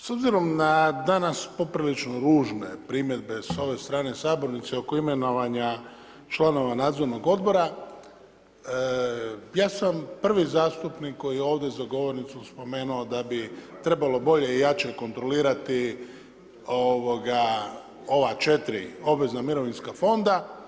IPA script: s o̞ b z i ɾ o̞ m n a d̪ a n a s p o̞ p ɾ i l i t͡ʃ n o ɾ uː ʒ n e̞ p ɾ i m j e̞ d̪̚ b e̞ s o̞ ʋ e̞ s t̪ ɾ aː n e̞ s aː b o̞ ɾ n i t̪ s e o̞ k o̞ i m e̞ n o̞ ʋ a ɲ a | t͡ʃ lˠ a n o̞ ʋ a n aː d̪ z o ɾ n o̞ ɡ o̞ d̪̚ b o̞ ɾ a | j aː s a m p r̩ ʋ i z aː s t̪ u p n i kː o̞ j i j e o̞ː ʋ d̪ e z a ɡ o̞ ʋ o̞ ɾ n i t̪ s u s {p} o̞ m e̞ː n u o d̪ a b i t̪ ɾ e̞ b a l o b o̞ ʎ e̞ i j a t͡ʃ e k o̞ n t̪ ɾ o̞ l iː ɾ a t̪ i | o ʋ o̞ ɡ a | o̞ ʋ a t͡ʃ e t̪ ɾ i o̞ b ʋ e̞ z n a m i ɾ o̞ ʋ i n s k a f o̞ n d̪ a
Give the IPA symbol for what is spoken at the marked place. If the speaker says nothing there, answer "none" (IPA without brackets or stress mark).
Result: p